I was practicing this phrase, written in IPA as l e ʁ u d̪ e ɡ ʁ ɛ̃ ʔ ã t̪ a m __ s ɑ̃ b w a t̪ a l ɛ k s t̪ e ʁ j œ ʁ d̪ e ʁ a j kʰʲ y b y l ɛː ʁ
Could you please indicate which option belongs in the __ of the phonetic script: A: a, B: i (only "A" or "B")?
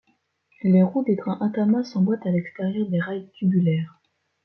A